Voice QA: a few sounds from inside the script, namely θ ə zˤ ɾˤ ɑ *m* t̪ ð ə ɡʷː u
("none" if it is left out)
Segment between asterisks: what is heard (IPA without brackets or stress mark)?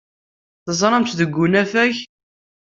m